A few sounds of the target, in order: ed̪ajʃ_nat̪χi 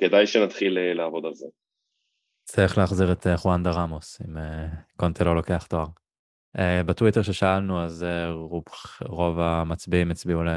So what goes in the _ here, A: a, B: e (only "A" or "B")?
B